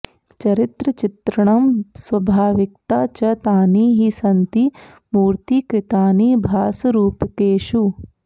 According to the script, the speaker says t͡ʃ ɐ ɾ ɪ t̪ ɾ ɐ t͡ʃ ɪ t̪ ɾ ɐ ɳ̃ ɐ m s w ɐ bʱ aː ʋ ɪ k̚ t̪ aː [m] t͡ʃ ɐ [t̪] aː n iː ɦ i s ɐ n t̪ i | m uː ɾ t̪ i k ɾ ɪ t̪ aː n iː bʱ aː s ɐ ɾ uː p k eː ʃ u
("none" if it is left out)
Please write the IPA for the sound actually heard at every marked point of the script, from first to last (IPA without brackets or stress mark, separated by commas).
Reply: none, t̪